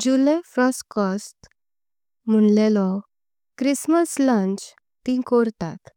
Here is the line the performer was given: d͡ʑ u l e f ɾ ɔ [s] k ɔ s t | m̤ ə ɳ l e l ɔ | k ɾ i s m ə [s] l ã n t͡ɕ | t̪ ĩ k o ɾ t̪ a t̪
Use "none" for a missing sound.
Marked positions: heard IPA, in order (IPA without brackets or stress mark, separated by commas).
s, s